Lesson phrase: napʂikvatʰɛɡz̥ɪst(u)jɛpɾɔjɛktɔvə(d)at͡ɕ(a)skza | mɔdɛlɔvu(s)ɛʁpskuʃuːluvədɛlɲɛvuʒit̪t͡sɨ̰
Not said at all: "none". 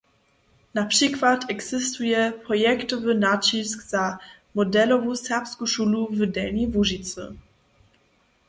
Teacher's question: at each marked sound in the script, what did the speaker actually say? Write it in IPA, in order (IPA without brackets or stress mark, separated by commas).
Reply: u, n, i, s